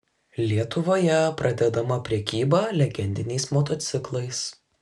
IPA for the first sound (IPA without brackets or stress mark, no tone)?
lʲ